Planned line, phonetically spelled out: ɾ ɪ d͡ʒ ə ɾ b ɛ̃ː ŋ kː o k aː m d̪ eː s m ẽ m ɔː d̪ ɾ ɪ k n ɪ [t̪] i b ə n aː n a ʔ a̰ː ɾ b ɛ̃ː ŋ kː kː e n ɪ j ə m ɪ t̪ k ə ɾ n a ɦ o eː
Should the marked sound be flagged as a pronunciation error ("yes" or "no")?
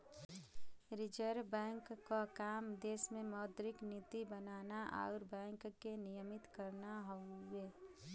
no